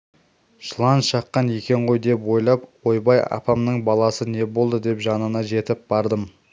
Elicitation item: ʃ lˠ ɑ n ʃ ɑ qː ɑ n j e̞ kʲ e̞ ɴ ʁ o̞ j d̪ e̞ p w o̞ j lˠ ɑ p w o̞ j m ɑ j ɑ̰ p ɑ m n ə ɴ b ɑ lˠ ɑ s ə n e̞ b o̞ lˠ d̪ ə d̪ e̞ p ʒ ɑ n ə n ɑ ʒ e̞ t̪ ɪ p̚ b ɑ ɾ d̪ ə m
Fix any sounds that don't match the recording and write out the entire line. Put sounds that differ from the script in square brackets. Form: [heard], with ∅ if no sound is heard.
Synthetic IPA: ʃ lˠ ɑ n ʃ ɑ qː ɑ n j e̞ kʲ e̞ ɴ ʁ o̞ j d̪ e̞ p w o̞ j lˠ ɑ p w o̞ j [b] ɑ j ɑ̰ p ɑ m n ə ɴ b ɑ lˠ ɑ s ə n e̞ b o̞ lˠ d̪ ə d̪ e̞ p ʒ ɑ n ə n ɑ ʒ e̞ t̪ ɪ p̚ b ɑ ɾ d̪ ə m